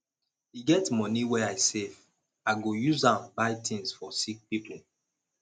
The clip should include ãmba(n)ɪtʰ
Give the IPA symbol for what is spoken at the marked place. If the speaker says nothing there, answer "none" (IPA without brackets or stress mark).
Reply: none